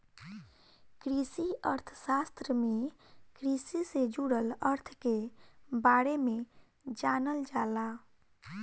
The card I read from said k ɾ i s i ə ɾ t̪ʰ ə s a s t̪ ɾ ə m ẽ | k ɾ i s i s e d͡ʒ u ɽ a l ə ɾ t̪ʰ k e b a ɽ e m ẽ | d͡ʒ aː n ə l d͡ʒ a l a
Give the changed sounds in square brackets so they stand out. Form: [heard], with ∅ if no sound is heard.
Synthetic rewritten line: k ɾ i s i ə ɾ t̪ʰ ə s a s t̪ ɾ ə m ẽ | k ɾ i s i s e d͡ʒ u ɽ [ə] l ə ɾ t̪ʰ k e b a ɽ e m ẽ | d͡ʒ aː n ə l d͡ʒ a l a